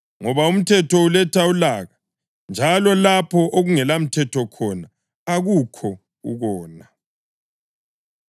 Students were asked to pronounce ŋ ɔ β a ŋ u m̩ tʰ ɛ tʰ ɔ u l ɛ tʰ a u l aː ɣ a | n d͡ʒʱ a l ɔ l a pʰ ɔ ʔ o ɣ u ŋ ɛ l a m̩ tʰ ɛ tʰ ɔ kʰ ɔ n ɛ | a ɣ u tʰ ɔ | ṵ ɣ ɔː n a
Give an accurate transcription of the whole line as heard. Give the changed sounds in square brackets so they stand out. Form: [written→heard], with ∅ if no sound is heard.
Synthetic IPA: ŋ ɔ β a [ŋ→∅] u m̩ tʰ ɛ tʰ ɔ u l ɛ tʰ a u l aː ɣ a | n d͡ʒʱ a l ɔ l a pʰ ɔ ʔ o ɣ u ŋ ɛ l a m̩ tʰ ɛ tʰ ɔ kʰ ɔ n [ɛ→a] | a ɣ u [tʰ→kʰ] ɔ | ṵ ɣ ɔː n a